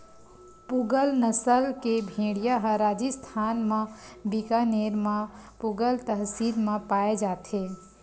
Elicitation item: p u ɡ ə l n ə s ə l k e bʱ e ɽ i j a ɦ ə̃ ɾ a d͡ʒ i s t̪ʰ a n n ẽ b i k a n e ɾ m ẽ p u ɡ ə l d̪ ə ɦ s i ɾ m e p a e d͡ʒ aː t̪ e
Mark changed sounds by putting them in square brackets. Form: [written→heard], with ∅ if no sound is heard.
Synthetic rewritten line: p u ɡ ə l n ə s ə l k e bʱ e ɽ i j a ɦ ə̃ ɾ a d͡ʒ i s t̪ʰ a n [n→m] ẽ b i k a n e ɾ m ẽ p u ɡ ə l [d̪→t̪] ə ɦ s i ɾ m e p a e d͡ʒ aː t̪ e